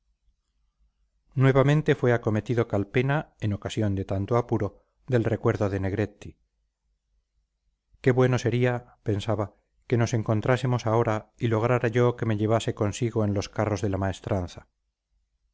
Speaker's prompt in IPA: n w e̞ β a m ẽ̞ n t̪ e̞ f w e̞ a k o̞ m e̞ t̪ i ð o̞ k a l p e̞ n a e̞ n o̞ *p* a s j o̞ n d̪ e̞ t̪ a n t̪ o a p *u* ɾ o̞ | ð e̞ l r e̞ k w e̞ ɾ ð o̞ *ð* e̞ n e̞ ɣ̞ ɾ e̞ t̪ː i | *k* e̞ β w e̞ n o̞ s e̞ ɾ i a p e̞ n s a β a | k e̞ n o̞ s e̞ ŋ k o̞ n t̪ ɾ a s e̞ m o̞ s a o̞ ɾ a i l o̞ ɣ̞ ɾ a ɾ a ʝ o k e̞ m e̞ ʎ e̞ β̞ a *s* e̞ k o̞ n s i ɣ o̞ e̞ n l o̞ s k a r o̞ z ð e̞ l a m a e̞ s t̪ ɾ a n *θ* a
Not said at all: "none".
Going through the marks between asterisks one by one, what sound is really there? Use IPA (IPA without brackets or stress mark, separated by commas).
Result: k, u, ð, k, s, θ